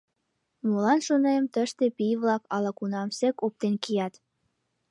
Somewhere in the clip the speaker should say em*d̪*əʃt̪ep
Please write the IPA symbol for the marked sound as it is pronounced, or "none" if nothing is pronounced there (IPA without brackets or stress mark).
t̪